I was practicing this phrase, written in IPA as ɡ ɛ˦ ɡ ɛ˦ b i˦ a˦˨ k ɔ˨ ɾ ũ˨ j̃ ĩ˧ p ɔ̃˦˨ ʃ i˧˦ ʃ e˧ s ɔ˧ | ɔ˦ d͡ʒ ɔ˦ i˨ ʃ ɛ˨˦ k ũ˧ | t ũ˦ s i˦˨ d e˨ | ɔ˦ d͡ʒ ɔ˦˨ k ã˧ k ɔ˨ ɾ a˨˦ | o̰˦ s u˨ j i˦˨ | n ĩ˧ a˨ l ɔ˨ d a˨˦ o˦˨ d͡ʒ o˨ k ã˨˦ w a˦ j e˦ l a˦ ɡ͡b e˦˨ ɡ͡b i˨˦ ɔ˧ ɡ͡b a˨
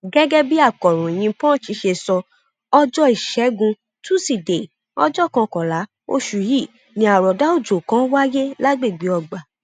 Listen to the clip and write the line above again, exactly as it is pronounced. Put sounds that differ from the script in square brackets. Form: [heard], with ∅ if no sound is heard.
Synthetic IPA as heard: ɡ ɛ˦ ɡ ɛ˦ b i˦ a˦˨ k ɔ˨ ɾ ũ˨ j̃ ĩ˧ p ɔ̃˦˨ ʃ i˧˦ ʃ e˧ s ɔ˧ | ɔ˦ d͡ʒ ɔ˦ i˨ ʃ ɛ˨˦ [ɡ] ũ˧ | t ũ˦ s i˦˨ d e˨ | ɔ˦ d͡ʒ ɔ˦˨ k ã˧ k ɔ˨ [l] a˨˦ | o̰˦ [ʃ] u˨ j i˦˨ | n ĩ˧ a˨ [ɾ] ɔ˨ d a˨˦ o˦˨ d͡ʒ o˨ k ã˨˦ w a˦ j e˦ l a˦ ɡ͡b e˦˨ ɡ͡b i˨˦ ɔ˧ ɡ͡b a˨

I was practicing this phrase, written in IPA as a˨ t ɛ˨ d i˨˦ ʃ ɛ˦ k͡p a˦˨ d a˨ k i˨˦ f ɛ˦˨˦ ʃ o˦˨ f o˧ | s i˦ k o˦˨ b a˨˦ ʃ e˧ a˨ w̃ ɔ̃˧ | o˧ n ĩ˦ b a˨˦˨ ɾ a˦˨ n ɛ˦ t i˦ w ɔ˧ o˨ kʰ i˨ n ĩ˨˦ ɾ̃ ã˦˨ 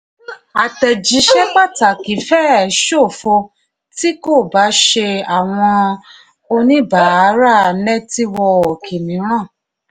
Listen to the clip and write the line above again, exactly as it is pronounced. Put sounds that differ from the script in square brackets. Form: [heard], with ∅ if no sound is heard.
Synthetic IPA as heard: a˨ t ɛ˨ [d͡ʒ] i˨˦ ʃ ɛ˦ k͡p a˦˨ [t] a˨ k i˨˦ f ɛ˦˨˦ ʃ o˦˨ f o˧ | [t] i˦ k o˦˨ b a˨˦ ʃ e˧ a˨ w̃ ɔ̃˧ | o˧ n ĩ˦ b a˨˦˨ ɾ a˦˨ n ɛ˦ t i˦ w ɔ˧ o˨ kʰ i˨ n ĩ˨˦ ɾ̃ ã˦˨

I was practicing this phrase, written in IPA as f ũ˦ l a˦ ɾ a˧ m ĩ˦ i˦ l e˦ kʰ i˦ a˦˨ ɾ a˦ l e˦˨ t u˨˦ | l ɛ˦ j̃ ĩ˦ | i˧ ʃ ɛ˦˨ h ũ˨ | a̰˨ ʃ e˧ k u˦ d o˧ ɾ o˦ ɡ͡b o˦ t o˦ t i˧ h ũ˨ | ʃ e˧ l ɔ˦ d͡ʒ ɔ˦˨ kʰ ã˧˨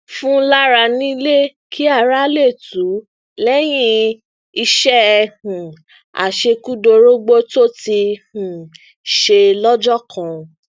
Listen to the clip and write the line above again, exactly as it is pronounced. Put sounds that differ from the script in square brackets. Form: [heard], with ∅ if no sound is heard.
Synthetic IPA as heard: f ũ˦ l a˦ ɾ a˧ [n] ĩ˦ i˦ l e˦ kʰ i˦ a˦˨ ɾ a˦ l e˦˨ t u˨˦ | l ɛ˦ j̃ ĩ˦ | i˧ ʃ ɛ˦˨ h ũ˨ | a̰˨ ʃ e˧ k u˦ d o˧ ɾ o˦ ɡ͡b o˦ t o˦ t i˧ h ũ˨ | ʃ e˧ l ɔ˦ d͡ʒ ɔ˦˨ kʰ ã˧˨

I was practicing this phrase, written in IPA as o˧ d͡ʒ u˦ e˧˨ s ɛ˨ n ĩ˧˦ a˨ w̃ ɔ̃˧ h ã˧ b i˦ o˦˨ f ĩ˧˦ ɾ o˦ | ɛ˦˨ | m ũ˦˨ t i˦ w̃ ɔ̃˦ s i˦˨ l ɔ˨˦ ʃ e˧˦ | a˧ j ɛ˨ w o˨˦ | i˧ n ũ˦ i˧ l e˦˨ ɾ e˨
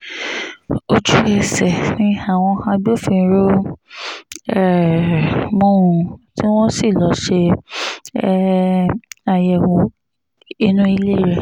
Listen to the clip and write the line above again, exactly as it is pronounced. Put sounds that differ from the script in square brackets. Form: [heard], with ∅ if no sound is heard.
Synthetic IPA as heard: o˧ d͡ʒ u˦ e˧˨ s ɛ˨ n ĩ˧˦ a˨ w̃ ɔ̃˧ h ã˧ b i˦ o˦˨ f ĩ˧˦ ɾ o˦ | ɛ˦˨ | m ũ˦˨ t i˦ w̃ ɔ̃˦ s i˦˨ l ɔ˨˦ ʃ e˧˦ | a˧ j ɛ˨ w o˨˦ | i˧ n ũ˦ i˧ l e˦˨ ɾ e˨

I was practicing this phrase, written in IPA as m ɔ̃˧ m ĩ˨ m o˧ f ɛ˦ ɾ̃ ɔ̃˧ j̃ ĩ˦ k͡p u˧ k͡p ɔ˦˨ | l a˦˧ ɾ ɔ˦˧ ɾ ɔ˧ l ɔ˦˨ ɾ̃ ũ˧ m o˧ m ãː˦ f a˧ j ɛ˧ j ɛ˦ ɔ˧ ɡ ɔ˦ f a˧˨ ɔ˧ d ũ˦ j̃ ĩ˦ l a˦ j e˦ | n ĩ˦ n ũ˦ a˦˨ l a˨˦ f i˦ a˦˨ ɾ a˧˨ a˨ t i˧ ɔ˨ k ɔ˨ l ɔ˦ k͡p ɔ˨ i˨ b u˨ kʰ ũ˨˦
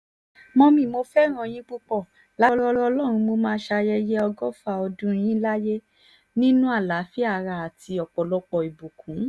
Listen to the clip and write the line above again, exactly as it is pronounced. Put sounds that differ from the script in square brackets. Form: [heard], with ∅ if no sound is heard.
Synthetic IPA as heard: m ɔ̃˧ m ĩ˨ m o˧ f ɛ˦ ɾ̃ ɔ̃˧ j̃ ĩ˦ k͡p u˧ k͡p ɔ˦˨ | l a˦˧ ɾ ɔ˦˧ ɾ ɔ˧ l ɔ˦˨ ɾ̃ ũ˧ m o˧ m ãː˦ [ʃ] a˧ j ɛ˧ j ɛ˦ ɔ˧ ɡ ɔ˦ f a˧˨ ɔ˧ d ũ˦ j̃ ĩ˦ l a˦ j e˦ | n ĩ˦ n ũ˦ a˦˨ l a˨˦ f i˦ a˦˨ ɾ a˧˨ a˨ t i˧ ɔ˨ [k͡p] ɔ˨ l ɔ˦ k͡p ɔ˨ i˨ b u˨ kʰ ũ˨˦

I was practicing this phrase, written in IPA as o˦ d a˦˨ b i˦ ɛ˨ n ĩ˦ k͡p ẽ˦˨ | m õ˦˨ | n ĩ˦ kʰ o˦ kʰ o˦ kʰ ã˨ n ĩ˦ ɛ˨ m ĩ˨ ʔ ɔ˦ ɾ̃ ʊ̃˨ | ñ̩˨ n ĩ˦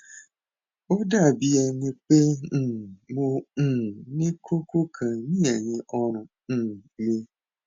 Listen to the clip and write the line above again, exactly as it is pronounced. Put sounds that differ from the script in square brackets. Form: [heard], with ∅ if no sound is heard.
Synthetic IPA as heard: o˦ d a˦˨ b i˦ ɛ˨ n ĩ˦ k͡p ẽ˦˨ | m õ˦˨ | n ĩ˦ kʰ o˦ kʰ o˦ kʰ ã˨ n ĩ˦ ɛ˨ [ɲ] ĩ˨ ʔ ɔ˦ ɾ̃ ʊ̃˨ | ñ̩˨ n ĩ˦

